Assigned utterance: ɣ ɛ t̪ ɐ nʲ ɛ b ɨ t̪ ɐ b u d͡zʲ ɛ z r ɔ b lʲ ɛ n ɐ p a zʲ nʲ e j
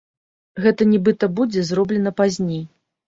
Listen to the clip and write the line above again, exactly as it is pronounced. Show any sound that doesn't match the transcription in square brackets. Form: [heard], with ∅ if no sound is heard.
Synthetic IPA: ɣ ɛ t̪ ɐ nʲ ɛ b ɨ t̪ ɐ b u d͡zʲ ɛ z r ɔ b lʲ ɛ n ɐ p a zʲ nʲ e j